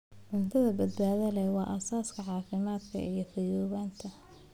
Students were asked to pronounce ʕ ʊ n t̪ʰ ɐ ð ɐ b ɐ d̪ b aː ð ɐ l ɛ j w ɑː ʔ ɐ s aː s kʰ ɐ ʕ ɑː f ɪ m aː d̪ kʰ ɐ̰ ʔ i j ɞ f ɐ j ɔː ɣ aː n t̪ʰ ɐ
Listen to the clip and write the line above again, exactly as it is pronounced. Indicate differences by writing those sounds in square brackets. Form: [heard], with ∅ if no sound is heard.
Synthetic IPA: ʕ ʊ n t̪ʰ ɐ ð ɐ b ɐ d̪ b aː ð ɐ l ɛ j w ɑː ʔ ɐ s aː s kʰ ɐ ʕ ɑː f ɪ m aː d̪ kʰ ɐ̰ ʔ i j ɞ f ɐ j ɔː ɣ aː n t̪ʰ ɐ